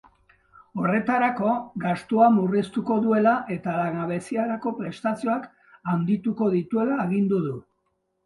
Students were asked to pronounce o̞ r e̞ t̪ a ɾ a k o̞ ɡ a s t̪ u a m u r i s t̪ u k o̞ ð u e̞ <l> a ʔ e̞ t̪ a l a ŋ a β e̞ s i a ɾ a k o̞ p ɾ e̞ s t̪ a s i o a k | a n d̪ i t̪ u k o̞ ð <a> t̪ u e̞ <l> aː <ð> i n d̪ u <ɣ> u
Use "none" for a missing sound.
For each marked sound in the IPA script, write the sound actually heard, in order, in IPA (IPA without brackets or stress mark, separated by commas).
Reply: l, i, l, ɣ, ð